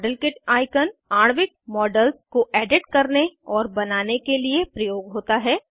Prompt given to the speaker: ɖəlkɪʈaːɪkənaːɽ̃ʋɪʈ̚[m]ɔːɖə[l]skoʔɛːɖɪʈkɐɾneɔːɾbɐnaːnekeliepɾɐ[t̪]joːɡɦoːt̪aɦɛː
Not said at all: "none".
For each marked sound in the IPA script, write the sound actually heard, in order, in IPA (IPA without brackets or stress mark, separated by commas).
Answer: m, l, none